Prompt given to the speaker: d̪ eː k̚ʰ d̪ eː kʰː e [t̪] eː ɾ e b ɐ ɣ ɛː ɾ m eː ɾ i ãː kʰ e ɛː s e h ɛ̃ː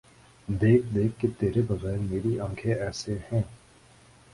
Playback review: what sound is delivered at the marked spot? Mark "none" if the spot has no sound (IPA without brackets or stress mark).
t̪